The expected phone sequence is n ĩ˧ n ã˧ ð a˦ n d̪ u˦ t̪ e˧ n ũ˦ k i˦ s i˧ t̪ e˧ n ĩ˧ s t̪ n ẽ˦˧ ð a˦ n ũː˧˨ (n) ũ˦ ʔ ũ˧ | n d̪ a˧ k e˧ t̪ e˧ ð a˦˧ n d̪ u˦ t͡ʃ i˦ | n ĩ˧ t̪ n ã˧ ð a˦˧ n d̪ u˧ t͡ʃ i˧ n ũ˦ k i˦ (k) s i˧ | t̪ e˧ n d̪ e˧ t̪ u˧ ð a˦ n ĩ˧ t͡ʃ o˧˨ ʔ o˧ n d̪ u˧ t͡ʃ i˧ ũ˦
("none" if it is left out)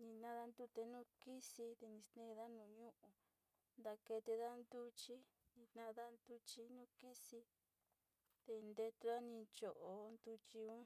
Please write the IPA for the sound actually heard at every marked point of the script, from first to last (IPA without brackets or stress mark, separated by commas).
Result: ɲ, none